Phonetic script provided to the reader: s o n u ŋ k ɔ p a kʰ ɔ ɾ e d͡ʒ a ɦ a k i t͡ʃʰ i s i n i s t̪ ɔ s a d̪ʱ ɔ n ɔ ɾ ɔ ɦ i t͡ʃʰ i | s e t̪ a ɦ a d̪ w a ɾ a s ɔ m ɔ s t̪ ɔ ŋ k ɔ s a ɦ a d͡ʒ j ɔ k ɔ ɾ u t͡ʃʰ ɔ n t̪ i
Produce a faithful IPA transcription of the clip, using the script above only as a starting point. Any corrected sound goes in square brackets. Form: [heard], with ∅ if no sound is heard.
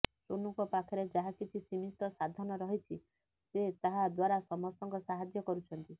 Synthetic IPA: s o n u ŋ k ɔ p a kʰ ɔ ɾ e d͡ʒ a ɦ a k i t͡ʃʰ i s i [m] i s t̪ ɔ s a d̪ʱ ɔ n ɔ ɾ ɔ ɦ i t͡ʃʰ i | s e t̪ a ɦ a d̪ w a ɾ a s ɔ m ɔ s t̪ ɔ ŋ k ɔ s a ɦ a d͡ʒ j ɔ k ɔ ɾ u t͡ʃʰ ɔ n t̪ i

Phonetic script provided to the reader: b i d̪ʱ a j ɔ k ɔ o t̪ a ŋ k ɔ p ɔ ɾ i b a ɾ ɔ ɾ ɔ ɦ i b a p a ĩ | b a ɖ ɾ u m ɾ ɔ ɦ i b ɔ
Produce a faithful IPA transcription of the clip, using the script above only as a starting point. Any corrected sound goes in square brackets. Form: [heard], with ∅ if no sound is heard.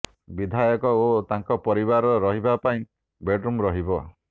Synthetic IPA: b i d̪ʱ a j ɔ k ɔ o t̪ a ŋ k ɔ p ɔ ɾ i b a ɾ ɔ ɾ ɔ ɦ i b a p a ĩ | b [e] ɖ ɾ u m ɾ ɔ ɦ i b ɔ

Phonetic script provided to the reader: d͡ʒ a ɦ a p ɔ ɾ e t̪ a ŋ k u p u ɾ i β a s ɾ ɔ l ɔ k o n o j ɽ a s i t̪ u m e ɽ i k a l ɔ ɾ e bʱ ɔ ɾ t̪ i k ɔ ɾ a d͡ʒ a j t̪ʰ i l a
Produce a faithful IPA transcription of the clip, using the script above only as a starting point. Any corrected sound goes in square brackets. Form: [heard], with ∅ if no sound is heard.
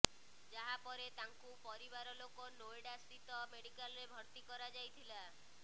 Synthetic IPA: d͡ʒ a ɦ a p ɔ ɾ e t̪ a ŋ k u p [ɔ] ɾ i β a [∅] ɾ ɔ l [o] k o n o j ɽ a s i t̪ [ɔ] m e ɽ i k a l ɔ ɾ e bʱ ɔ ɾ t̪ i k ɔ ɾ a d͡ʒ a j t̪ʰ i l a

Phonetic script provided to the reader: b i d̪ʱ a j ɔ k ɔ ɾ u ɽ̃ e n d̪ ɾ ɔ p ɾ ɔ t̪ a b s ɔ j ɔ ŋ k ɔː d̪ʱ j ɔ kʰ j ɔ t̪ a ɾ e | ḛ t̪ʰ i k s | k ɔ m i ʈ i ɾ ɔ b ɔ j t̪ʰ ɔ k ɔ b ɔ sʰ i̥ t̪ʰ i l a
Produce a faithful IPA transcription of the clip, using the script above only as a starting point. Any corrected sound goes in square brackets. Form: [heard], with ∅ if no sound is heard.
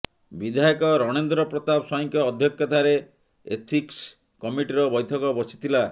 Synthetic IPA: b i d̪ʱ a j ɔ k ɔ ɾ [ɔ] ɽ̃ e n d̪ ɾ ɔ p ɾ ɔ t̪ a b s ɔ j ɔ ŋ k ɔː d̪ʱ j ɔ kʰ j ɔ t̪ a ɾ e | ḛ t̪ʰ i k s | k ɔ m i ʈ i ɾ ɔ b ɔ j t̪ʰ ɔ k ɔ b ɔ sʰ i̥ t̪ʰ i l a

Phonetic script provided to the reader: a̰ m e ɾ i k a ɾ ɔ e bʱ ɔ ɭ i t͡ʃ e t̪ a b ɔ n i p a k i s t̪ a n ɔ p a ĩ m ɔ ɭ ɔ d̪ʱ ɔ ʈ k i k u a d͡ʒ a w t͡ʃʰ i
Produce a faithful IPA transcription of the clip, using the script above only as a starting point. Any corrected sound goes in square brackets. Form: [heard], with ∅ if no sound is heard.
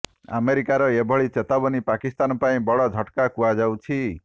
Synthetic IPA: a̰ m e ɾ i k a ɾ ɔ e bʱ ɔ ɭ i t͡ʃ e t̪ a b ɔ n i p a k i s t̪ a n ɔ p a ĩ [b] ɔ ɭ ɔ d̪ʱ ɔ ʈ k [a] k u a d͡ʒ a w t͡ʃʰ i

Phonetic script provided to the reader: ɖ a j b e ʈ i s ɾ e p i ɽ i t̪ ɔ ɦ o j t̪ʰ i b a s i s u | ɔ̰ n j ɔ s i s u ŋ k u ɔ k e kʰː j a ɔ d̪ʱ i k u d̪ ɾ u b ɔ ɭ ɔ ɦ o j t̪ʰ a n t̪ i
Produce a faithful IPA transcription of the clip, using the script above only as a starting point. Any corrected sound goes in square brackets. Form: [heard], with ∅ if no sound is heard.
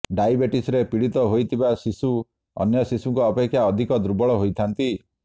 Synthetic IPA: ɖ a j b e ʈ i s ɾ e p i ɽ i t̪ ɔ ɦ o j t̪ʰ i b a s i s u | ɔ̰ n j ɔ s i s u ŋ k u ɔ [p] e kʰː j a ɔ d̪ʱ i k [ɔ] d̪ ɾ u b ɔ ɭ ɔ ɦ o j t̪ʰ a n t̪ i

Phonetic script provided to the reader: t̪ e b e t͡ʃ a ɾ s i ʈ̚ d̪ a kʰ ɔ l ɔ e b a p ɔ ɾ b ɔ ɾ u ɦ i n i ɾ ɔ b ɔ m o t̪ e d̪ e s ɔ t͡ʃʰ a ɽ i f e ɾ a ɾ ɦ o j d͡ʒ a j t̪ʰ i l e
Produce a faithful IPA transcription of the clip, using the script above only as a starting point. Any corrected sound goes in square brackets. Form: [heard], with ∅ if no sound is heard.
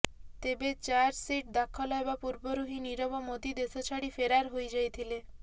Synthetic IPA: t̪ e b e t͡ʃ a ɾ s i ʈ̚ d̪ a kʰ ɔ l ɔ e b a p [u] ɾ b ɔ ɾ u ɦ i n i ɾ ɔ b ɔ m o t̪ [i] d̪ e s ɔ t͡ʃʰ a ɽ i f e ɾ a ɾ ɦ o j d͡ʒ a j t̪ʰ i l e

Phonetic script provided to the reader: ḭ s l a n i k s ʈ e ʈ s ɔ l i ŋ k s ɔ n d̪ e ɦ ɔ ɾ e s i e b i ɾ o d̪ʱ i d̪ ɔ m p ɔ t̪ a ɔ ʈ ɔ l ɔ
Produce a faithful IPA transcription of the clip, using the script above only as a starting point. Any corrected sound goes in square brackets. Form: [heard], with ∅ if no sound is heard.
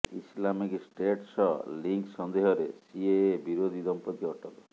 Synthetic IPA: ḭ s l a [m] i k s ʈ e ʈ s ɔ l i ŋ k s ɔ n d̪ e ɦ ɔ ɾ e s i e b i ɾ o d̪ʱ i d̪ ɔ m p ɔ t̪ [i] ɔ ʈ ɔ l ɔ

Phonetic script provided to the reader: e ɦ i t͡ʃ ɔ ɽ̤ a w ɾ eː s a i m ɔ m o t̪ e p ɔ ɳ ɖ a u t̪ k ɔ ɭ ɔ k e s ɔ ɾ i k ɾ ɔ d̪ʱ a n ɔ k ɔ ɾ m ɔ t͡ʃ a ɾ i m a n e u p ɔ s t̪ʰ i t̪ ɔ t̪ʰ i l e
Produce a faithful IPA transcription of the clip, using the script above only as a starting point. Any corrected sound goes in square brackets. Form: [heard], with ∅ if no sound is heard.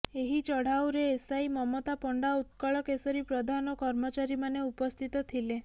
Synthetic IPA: e ɦ i t͡ʃ ɔ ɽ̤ a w ɾ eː s a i m ɔ m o t̪ [a] p ɔ ɳ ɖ a u t̪ k ɔ ɭ ɔ k e s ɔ ɾ i [p] ɾ ɔ d̪ʱ a n ɔ k ɔ ɾ m ɔ t͡ʃ a ɾ i m a n e u p ɔ s t̪ʰ i t̪ ɔ t̪ʰ i l e

